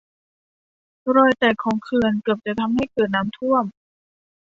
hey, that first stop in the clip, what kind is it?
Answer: plain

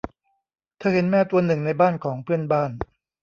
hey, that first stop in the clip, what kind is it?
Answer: aspirated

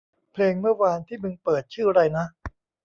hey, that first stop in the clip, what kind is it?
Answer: aspirated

